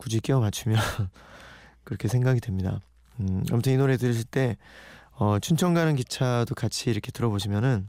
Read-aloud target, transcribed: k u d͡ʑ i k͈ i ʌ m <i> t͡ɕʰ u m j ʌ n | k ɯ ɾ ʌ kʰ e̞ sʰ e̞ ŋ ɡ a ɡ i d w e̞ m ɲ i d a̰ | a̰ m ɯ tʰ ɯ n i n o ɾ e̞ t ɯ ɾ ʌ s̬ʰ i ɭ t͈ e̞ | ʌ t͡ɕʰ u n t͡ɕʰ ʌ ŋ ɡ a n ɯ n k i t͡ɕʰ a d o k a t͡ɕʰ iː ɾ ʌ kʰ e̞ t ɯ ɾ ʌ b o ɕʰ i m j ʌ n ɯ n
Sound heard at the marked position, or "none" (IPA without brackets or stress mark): a